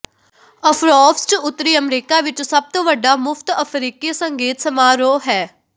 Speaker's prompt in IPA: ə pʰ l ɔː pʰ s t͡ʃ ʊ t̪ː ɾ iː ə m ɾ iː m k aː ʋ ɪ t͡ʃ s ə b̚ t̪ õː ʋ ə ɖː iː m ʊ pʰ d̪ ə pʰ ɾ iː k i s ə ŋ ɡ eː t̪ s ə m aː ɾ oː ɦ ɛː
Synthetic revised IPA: ə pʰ ɾ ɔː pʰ s t͡ʃ ʊ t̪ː ɾ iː ə m ɾ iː k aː ʋ ɪ t͡ʃ s ə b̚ t̪ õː ʋ ə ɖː aː m ʊ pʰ t̪ ə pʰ ɾ iː k i s ə ŋ ɡ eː t̪ s ə m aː ɾ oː ɦ ɛː